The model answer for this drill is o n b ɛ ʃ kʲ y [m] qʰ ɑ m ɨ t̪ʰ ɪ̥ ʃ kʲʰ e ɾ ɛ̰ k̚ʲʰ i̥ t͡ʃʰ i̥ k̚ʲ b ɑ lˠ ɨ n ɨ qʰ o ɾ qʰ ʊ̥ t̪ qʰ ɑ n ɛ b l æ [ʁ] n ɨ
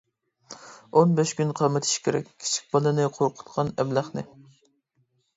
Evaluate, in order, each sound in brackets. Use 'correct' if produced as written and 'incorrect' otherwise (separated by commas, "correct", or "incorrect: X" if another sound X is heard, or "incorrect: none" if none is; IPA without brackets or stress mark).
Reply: incorrect: n, incorrect: χ